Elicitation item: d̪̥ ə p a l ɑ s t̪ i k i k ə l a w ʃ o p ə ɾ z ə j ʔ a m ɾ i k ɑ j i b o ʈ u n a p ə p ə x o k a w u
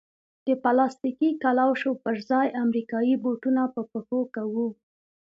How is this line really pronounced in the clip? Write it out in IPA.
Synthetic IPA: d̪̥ ə p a l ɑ s t̪ i k i k a l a w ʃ o p ə ɾ z ɑ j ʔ a m ɾ i k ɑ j i b o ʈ u n a p ə p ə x o k a w u

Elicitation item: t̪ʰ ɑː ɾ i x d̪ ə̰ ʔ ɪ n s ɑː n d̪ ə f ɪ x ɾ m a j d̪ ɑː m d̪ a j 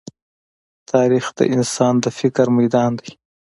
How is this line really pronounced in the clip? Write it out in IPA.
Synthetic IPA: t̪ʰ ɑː ɾ i x d̪ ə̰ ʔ ɪ n s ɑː n d̪ ə f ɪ k ɾ m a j d̪ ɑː n d̪ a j

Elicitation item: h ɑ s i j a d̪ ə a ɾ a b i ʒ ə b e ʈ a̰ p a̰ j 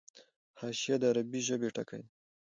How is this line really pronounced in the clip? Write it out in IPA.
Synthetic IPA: h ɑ ʃ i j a d̪ ə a ɾ a b i ʒ ə b e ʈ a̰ k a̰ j

